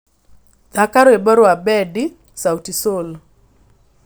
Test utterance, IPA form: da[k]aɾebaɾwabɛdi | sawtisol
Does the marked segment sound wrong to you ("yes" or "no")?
no